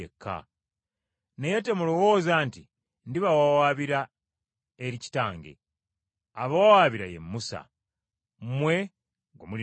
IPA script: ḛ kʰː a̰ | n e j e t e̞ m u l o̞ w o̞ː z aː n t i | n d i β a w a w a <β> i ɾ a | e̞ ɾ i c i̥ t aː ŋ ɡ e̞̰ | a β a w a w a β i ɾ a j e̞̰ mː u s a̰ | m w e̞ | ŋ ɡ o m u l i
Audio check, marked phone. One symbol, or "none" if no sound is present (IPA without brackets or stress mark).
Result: β